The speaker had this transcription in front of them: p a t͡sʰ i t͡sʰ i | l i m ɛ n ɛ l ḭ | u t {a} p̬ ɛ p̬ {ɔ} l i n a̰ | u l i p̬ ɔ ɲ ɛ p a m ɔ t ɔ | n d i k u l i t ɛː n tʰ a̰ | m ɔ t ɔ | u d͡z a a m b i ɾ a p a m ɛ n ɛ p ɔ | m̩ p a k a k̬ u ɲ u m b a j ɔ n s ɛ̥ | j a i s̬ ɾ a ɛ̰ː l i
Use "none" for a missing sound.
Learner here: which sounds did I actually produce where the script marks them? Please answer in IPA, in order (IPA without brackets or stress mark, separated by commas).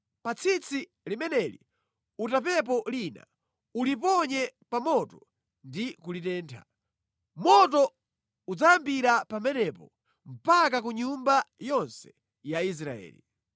a, ɔ